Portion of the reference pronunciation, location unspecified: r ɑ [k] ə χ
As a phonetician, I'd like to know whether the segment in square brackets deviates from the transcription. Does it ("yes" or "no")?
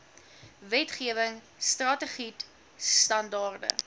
yes